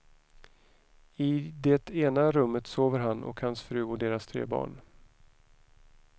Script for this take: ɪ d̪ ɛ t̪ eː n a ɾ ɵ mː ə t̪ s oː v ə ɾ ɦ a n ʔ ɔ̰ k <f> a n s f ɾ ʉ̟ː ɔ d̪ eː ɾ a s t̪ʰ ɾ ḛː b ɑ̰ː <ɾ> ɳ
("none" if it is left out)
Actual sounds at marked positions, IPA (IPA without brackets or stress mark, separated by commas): h, none